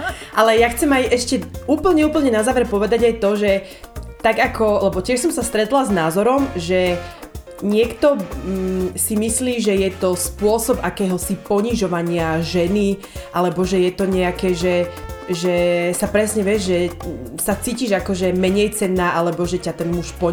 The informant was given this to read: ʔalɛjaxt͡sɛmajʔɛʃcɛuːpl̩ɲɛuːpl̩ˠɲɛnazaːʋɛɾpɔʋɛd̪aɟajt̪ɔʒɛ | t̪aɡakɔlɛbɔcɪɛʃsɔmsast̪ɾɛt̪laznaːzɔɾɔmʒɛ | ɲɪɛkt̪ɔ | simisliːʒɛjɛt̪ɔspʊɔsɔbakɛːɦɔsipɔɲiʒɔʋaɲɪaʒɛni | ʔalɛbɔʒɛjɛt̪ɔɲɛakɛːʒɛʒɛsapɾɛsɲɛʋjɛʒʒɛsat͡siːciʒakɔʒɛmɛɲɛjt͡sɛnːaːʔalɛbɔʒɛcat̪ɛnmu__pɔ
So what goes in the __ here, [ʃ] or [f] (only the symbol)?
ʃ